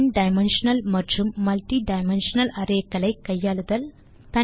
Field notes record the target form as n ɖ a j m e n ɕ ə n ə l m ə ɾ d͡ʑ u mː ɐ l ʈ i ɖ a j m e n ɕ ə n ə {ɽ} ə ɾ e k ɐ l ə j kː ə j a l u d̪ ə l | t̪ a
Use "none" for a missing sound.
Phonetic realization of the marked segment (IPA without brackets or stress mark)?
l